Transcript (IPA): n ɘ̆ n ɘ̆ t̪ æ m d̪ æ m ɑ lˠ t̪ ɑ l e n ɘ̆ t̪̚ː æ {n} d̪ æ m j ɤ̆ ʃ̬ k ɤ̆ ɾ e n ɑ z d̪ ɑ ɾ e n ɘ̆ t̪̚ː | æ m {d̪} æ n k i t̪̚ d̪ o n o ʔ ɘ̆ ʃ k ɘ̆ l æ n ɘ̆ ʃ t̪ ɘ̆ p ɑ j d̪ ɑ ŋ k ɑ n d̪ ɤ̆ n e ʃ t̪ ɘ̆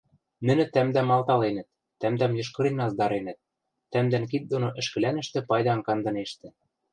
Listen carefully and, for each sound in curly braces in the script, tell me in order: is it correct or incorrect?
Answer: incorrect: m, correct

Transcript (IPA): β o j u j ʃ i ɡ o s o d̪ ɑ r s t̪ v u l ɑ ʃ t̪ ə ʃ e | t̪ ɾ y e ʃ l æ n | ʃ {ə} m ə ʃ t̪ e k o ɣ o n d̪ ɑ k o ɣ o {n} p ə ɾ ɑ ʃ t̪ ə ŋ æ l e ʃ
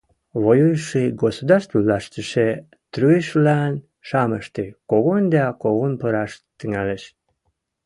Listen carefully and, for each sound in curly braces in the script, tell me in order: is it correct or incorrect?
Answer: incorrect: ɑ, correct

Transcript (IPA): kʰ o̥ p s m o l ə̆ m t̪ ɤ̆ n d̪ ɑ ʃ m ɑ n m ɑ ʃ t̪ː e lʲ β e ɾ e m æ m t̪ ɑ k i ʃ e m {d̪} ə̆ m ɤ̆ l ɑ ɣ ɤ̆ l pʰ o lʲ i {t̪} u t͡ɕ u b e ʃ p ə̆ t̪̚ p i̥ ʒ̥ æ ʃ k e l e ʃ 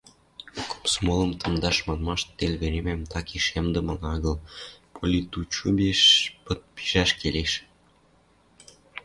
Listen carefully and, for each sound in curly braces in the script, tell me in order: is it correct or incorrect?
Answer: correct, correct

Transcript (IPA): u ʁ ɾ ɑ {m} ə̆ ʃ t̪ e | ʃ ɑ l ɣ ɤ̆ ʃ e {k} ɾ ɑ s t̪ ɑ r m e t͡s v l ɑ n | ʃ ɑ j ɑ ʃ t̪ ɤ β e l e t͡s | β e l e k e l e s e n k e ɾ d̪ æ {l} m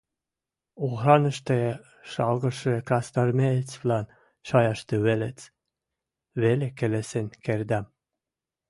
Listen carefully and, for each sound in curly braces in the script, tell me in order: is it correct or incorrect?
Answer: incorrect: n, correct, incorrect: none

